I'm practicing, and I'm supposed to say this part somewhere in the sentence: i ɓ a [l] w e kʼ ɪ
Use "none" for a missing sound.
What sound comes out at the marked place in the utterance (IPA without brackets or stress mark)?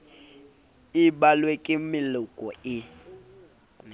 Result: l